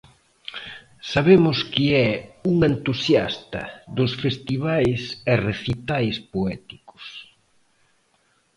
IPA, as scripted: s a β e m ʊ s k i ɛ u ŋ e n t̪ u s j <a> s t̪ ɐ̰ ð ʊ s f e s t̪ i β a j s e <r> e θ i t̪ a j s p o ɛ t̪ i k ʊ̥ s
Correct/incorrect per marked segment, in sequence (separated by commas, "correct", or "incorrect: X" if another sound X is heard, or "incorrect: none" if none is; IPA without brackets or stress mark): correct, correct